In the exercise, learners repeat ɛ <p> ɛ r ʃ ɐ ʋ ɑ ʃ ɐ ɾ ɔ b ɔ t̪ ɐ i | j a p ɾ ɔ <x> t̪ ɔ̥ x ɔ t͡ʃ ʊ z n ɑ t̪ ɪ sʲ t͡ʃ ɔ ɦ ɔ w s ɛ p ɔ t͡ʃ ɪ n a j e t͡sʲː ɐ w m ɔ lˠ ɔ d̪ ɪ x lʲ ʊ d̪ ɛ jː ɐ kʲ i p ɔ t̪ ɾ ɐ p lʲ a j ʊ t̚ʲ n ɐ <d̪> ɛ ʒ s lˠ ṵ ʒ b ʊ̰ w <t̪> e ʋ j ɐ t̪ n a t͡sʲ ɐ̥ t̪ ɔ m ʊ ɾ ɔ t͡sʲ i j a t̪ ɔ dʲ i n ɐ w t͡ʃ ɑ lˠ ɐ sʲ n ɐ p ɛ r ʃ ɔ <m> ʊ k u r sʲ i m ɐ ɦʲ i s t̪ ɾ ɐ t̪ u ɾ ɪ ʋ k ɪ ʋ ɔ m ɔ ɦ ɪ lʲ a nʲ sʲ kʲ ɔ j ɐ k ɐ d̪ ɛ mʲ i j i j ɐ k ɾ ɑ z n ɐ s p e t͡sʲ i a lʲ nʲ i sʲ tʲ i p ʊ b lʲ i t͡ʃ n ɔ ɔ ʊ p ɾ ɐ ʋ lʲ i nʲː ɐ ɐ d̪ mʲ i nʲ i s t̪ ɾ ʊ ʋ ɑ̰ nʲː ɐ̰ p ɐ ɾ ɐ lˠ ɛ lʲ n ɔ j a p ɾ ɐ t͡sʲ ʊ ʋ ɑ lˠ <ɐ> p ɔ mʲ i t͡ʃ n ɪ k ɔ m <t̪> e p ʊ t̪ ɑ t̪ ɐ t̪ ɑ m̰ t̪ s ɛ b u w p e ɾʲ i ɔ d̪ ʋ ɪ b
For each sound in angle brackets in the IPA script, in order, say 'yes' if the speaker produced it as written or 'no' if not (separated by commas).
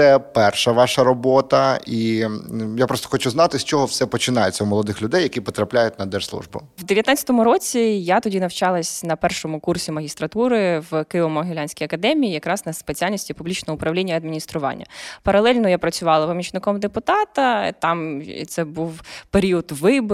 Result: yes, no, yes, no, yes, yes, no